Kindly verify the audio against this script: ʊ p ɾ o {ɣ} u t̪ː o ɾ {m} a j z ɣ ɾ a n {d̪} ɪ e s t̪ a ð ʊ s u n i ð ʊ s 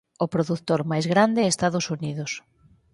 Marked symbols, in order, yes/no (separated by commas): no, yes, yes